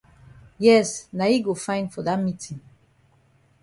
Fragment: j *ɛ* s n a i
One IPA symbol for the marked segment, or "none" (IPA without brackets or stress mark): ɛ